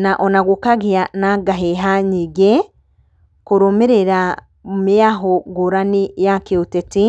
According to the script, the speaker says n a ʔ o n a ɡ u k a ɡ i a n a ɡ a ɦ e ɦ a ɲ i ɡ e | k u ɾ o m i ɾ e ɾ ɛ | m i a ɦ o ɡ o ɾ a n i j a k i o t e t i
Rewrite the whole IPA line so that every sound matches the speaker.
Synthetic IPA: n a ʔ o n a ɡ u k a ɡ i a n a ɡ a ɦ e ɦ a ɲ i ɡ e | k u ɾ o m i ɾ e ɾ a | m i a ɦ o ɡ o ɾ a n i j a k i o t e t i